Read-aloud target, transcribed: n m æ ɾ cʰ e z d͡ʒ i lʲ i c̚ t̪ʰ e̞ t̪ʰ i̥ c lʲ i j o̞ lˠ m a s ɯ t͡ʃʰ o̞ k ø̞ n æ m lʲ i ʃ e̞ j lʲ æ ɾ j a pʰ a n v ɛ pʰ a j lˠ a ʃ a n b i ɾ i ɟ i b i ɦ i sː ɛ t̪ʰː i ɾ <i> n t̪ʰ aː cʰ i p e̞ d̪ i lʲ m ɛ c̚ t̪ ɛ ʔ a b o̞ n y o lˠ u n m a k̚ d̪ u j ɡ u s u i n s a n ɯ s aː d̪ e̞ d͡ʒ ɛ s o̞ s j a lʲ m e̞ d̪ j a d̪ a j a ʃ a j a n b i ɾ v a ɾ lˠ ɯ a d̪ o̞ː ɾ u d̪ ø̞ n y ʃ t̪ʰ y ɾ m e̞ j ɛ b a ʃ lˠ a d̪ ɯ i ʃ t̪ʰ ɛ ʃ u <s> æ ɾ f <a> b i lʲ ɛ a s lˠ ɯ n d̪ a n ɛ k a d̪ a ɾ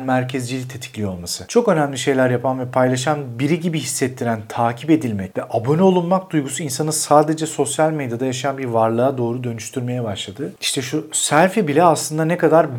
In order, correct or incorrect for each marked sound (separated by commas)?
incorrect, correct, incorrect